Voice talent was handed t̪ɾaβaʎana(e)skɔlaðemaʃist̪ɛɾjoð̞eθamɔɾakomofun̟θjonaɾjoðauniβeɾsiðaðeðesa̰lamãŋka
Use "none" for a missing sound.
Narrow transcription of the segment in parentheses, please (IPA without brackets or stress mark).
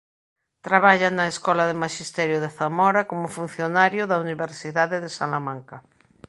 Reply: e